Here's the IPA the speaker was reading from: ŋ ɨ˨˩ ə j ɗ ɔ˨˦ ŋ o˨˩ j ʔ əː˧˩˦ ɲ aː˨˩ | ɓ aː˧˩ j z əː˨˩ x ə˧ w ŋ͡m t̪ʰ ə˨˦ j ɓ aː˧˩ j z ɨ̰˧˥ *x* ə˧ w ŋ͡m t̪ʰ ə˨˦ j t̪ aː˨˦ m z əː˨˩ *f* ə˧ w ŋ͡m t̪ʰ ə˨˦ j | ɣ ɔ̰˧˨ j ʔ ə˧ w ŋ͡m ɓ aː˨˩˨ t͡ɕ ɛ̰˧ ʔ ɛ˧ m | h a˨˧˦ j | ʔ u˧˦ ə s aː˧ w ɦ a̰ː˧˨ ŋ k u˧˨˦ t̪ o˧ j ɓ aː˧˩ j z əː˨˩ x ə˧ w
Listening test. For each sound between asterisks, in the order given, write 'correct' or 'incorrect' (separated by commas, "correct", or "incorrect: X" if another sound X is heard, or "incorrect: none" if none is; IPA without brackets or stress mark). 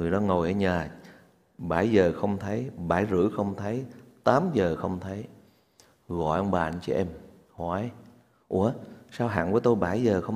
correct, incorrect: x